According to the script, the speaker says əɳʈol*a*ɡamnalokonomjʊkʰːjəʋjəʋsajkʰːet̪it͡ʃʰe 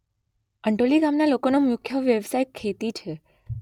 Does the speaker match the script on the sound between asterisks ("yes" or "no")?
no